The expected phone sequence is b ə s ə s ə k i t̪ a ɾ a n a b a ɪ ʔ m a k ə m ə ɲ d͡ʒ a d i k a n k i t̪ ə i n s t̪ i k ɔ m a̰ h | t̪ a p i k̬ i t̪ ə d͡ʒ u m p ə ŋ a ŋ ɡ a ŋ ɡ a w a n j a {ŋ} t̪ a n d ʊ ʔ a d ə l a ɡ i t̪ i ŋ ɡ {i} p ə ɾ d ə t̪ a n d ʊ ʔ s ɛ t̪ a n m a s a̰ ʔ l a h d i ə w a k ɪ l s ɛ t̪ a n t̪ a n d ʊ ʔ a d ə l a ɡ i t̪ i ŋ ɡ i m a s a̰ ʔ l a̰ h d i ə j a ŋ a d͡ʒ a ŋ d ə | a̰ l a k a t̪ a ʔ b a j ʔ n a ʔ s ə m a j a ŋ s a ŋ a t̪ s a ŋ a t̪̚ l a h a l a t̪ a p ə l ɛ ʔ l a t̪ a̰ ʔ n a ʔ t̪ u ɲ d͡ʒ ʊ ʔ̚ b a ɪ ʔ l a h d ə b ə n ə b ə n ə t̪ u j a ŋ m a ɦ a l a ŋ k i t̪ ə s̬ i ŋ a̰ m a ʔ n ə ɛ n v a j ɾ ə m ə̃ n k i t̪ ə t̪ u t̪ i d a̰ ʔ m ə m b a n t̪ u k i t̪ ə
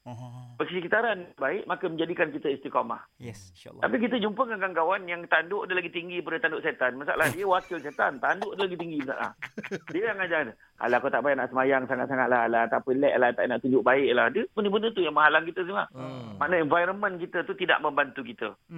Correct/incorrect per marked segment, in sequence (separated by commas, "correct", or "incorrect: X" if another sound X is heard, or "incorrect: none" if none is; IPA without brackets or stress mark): correct, correct